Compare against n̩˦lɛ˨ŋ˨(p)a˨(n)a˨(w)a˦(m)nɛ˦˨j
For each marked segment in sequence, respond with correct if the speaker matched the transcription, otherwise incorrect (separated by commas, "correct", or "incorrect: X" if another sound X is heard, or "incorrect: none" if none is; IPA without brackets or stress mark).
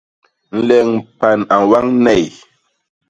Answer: correct, correct, correct, incorrect: ŋ